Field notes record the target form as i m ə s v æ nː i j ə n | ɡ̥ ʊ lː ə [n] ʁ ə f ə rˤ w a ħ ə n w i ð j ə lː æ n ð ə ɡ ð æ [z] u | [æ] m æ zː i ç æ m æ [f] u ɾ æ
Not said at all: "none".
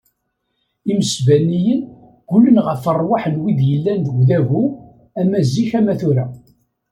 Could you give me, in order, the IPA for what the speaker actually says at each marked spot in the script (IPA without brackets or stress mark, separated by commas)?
n, v, æ, θ